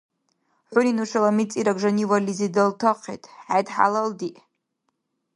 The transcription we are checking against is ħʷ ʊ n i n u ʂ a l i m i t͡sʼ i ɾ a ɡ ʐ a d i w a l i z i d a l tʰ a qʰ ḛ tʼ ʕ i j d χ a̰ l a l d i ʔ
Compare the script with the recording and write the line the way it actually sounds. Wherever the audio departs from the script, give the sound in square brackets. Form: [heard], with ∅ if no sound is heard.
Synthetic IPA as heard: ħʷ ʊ n i n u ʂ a l [a] m i t͡sʼ i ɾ a ɡ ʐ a [n] i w a l i z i d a l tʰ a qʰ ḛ tʼ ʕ [a] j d [ħ] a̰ l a l d i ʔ